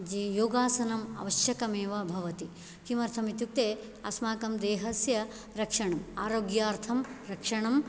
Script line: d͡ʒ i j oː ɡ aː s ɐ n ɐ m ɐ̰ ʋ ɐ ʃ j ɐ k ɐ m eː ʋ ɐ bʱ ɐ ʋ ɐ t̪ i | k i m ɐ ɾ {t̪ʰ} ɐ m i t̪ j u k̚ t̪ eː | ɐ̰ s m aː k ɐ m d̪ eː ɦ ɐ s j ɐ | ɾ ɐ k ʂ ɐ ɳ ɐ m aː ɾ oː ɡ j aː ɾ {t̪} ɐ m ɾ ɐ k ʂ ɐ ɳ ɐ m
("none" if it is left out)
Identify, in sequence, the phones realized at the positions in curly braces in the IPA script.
t̪ʰ, t̪ʰ

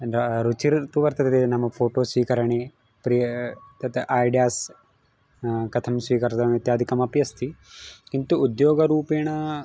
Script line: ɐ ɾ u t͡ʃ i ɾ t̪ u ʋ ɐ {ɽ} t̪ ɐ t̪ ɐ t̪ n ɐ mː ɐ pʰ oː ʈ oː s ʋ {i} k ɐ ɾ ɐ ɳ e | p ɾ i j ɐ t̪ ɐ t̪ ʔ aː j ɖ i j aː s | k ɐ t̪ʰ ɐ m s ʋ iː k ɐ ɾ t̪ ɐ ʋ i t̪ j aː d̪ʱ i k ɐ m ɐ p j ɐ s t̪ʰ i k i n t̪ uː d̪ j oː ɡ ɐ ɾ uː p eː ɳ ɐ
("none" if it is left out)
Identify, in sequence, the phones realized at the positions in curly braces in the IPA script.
ɾ, iː

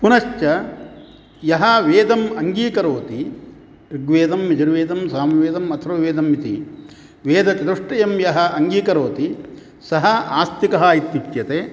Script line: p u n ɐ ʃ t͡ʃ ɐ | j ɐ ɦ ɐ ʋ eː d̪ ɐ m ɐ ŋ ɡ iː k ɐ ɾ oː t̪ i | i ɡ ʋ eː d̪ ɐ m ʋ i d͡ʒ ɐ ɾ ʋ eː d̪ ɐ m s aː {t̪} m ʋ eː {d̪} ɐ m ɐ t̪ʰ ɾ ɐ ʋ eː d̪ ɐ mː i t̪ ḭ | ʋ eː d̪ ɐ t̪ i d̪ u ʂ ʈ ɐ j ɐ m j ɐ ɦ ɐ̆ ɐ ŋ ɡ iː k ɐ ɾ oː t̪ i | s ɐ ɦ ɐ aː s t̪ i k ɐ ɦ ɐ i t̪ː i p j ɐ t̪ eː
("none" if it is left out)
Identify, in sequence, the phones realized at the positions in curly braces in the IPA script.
none, d̪

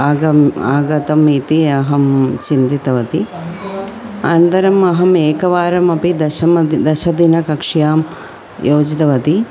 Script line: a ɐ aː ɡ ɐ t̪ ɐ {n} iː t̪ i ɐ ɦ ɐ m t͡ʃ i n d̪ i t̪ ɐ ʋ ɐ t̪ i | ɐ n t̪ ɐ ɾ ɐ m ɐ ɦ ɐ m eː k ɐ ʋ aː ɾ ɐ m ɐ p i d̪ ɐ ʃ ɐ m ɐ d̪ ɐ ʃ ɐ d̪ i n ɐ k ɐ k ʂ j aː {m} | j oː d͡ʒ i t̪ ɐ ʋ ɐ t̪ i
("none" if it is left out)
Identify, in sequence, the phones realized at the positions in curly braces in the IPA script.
m, m

